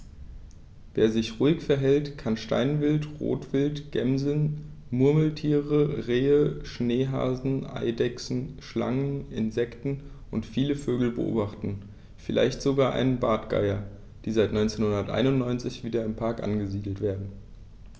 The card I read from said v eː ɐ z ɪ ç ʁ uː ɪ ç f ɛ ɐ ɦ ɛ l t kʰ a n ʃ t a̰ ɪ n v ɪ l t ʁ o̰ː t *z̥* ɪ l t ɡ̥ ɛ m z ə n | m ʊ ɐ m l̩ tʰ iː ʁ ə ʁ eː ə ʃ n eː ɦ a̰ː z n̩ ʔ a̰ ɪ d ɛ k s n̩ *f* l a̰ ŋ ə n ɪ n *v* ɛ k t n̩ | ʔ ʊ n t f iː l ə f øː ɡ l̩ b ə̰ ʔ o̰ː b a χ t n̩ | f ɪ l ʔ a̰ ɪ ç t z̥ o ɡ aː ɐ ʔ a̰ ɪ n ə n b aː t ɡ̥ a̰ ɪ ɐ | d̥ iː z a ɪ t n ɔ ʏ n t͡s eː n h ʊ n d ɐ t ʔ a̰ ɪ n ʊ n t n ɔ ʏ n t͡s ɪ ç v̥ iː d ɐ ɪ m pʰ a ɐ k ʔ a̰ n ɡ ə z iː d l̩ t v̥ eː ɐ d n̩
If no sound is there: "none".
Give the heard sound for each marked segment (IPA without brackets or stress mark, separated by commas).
v̥, ʃ, z